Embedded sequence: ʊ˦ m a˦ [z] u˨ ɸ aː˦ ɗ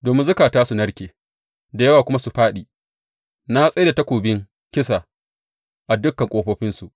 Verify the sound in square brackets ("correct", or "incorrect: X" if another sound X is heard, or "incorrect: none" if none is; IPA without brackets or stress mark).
incorrect: s